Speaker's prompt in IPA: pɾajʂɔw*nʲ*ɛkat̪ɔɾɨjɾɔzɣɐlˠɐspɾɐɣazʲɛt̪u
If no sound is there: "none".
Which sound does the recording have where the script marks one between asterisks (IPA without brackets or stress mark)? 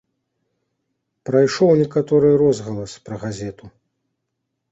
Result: nʲ